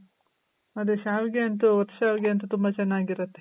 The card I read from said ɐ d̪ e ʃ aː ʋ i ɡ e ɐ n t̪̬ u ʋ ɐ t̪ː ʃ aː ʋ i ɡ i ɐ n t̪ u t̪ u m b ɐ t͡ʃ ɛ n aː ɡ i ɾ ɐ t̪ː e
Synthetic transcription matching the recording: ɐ d̪ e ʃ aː ʋ i ɡ e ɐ n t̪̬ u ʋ ɐ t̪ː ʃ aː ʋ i ɡ e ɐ n t̪ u t̪ u m b ɐ t͡ʃ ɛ nː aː ɡ i ɾ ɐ t̪ː e